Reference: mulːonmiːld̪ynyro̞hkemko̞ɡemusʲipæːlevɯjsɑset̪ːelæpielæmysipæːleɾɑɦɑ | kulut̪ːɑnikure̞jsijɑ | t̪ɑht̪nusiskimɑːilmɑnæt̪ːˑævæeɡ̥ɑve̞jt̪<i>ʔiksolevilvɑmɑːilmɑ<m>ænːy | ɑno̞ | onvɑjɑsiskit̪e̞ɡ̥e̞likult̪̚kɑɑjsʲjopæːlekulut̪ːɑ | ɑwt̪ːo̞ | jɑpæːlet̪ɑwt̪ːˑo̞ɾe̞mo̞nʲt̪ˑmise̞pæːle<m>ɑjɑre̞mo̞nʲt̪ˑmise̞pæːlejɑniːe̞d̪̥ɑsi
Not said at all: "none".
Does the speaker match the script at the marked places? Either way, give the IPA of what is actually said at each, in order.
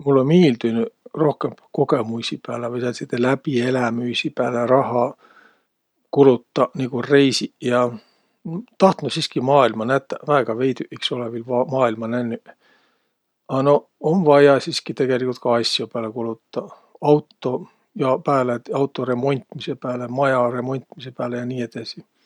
y, n, m

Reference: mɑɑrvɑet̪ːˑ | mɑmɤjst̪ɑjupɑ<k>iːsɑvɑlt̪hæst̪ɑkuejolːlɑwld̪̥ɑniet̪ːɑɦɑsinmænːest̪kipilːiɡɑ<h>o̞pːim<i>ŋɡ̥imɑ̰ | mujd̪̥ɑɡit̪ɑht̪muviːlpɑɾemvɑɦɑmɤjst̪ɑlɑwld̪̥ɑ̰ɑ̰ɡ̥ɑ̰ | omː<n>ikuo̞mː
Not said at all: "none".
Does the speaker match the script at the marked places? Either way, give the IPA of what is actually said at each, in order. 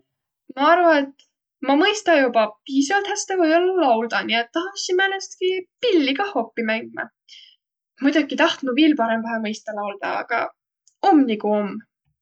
p, h, æ, n

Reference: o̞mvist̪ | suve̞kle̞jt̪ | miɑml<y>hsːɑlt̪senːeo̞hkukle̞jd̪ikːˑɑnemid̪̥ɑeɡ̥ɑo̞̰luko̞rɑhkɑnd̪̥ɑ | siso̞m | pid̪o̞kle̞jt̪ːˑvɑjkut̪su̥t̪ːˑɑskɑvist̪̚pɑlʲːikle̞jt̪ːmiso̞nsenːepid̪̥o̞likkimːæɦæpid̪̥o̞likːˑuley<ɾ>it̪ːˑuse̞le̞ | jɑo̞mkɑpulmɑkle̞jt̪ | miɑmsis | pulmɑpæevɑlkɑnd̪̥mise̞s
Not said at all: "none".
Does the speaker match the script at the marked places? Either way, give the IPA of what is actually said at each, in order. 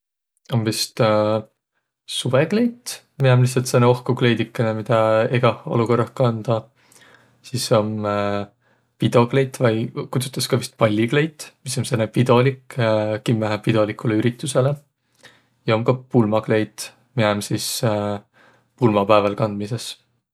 i, ɾ

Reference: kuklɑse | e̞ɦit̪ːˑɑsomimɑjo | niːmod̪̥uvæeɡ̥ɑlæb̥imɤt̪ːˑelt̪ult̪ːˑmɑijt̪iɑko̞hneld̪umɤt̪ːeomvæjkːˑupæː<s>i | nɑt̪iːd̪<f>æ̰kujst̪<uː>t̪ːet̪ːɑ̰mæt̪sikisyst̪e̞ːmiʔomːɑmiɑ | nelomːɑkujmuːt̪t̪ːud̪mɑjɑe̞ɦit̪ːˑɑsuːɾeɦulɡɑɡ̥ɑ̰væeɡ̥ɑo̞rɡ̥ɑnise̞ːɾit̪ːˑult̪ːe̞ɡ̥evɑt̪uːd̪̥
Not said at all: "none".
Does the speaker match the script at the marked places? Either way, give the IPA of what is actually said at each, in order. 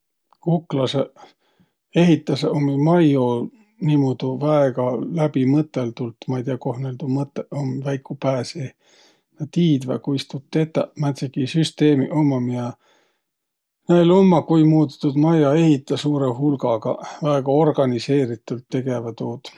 s, v, u

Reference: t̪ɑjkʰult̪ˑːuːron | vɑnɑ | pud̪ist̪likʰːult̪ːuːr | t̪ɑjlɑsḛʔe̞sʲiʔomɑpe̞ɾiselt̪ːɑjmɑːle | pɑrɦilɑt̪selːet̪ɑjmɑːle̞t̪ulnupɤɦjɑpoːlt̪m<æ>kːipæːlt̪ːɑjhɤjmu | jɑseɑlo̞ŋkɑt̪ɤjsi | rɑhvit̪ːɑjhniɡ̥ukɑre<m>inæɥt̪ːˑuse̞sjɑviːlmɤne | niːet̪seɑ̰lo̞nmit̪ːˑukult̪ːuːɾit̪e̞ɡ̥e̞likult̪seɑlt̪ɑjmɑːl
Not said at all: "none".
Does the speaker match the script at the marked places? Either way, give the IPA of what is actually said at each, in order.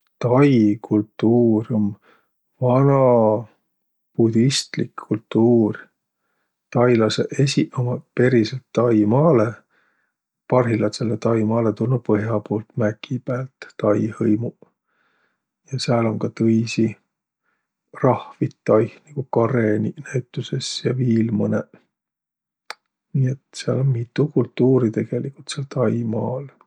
æ, n

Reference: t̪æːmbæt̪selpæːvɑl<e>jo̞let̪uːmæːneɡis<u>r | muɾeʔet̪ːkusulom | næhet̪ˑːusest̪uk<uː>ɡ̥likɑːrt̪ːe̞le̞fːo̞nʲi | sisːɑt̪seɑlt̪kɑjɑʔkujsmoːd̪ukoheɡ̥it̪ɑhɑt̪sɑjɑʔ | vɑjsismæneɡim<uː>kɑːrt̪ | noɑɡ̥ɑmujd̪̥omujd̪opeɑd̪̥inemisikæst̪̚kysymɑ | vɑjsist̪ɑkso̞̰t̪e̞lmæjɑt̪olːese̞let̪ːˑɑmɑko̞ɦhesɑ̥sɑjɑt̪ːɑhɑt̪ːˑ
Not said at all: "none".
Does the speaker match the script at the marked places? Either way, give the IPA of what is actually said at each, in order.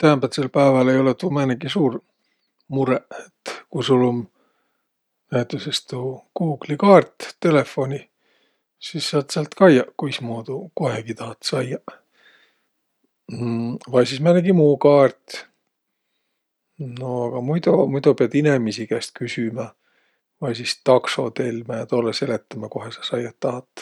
e, uː, uː, uː

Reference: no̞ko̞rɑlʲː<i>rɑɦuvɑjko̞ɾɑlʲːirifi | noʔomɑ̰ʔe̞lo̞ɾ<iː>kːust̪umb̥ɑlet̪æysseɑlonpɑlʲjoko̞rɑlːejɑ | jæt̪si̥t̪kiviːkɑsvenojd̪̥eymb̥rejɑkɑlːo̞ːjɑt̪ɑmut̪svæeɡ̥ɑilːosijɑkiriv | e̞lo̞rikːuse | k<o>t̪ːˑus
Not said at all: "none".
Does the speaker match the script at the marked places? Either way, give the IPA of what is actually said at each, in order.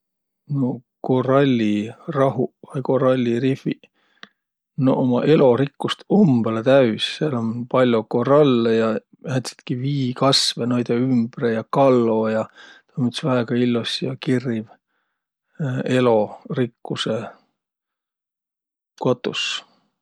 i, i, o

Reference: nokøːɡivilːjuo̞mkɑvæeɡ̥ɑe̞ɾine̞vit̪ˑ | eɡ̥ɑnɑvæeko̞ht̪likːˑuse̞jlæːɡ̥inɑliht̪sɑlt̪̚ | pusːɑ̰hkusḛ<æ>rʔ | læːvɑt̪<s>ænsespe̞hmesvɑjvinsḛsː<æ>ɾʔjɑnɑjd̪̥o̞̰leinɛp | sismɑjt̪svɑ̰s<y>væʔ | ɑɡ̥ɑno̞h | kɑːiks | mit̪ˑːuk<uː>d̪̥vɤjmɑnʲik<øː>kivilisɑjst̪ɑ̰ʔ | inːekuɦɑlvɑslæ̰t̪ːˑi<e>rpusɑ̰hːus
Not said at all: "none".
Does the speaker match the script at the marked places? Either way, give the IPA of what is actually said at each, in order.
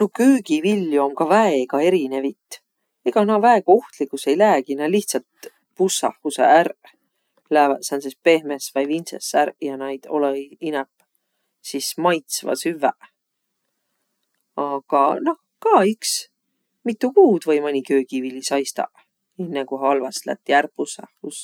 æ, s, æ, y, uː, øː, æ

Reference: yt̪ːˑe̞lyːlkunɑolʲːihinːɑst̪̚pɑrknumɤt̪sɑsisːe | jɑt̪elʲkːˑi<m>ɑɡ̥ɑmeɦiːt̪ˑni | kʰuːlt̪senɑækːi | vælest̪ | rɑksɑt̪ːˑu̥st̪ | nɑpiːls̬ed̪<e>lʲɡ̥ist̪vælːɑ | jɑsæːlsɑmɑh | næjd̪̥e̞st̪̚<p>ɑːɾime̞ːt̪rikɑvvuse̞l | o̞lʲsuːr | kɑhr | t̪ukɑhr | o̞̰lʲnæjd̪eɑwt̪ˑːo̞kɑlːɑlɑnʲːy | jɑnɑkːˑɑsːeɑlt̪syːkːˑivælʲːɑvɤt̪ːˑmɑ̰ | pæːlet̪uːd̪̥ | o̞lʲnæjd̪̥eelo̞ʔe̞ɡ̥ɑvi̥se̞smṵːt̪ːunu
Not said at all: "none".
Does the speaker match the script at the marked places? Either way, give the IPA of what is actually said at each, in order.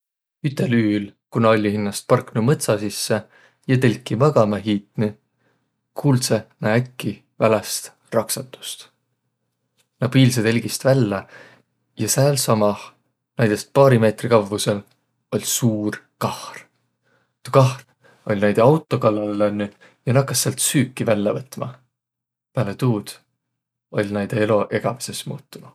m, e, p

